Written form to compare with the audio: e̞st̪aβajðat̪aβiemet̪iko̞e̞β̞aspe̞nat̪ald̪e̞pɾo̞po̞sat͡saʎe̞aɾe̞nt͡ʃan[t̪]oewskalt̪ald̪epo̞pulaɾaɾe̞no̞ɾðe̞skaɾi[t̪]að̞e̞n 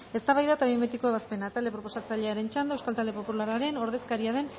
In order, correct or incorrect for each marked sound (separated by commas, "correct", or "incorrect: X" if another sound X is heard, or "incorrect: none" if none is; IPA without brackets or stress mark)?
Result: incorrect: d̪, incorrect: none